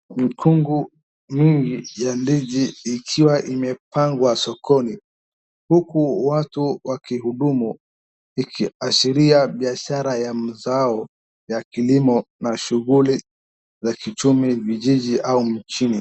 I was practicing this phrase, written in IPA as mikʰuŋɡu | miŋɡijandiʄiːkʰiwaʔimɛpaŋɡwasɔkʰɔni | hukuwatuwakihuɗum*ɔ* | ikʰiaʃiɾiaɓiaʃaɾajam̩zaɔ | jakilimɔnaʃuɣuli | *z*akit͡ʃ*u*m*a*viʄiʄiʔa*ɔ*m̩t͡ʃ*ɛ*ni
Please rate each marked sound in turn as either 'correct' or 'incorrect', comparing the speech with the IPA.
incorrect, correct, correct, incorrect, incorrect, incorrect

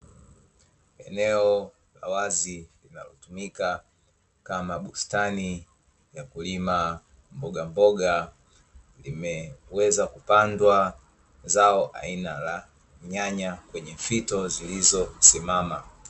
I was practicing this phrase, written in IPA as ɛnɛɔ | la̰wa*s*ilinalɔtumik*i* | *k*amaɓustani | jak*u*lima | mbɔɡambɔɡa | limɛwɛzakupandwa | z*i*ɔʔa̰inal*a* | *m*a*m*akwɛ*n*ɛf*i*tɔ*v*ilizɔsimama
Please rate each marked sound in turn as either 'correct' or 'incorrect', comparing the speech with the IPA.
incorrect, incorrect, correct, correct, incorrect, correct, incorrect, incorrect, incorrect, correct, incorrect

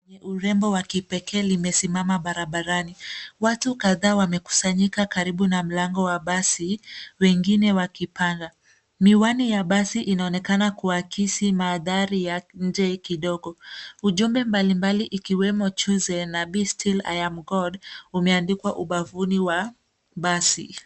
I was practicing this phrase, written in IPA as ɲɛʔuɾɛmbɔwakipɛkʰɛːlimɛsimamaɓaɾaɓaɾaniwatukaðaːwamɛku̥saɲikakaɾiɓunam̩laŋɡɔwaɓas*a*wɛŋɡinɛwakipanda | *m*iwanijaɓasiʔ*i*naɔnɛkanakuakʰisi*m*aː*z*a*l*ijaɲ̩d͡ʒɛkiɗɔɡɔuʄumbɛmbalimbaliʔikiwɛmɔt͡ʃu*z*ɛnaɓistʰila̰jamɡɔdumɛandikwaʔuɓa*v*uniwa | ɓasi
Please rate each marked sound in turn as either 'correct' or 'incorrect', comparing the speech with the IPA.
incorrect, correct, correct, correct, incorrect, incorrect, correct, correct

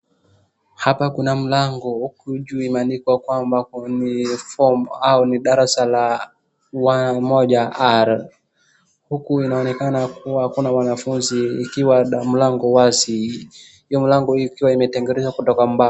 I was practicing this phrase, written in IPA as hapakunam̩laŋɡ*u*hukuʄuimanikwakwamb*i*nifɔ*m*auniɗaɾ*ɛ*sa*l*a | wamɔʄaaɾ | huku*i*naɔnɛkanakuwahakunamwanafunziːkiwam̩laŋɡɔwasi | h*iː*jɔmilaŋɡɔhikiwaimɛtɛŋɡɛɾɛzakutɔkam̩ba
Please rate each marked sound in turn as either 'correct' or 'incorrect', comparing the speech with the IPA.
incorrect, incorrect, correct, incorrect, correct, correct, incorrect

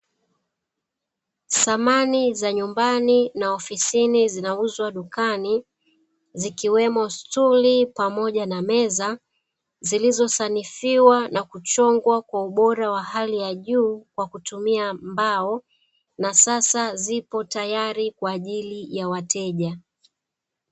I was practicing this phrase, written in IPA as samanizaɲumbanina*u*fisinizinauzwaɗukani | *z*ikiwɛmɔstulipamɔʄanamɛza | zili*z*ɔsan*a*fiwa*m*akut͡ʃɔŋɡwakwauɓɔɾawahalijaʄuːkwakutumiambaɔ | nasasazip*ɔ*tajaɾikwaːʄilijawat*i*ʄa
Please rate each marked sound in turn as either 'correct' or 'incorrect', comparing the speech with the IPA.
incorrect, correct, correct, incorrect, incorrect, correct, incorrect

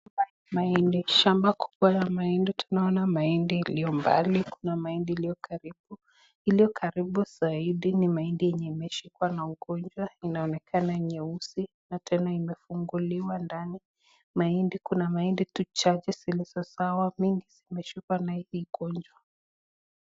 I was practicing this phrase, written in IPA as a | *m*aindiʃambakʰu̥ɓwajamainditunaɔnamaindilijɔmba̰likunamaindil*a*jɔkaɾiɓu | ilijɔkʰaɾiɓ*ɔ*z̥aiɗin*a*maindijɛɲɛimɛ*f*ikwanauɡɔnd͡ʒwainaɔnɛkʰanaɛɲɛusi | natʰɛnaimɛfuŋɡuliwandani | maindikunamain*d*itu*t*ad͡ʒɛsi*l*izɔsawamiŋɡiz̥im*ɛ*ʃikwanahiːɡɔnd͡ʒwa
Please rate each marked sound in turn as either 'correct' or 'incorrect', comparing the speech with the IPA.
correct, incorrect, incorrect, incorrect, incorrect, correct, incorrect, correct, correct

